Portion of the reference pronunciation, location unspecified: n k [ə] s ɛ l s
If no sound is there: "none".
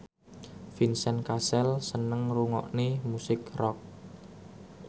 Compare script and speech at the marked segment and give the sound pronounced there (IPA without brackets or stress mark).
a